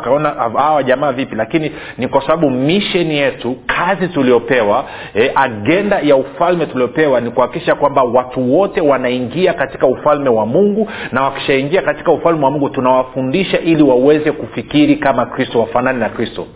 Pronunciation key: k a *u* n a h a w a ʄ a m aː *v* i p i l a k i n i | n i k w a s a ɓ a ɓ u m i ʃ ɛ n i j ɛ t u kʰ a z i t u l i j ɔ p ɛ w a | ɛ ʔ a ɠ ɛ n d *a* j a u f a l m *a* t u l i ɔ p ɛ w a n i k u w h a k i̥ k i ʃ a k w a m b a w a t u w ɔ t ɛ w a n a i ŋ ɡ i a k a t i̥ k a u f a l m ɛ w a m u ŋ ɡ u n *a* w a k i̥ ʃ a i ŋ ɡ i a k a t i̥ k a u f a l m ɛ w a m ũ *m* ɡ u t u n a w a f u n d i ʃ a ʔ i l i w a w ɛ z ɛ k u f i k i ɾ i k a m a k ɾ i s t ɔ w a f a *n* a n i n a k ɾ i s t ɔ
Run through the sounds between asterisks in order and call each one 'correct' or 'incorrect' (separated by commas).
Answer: incorrect, correct, correct, incorrect, correct, incorrect, correct